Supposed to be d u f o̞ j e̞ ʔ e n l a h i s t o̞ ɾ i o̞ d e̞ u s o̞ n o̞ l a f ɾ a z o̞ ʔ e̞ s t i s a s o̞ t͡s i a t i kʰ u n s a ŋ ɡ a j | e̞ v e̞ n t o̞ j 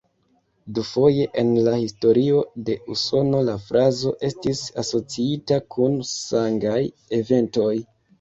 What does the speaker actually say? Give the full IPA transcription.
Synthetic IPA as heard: d u f o̞ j e̞ ʔ e n l a h i s t o̞ ɾ i o̞ d e̞ u s o̞ n o̞ l a f ɾ a z o̞ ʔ e̞ s t i s a s o̞ t͡s i i t a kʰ u n s a ŋ ɡ a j | e̞ v e̞ n t o̞ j